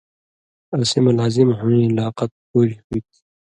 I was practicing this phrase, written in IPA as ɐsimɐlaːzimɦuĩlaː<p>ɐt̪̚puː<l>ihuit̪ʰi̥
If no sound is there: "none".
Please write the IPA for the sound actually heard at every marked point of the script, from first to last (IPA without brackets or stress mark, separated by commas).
q, ɾ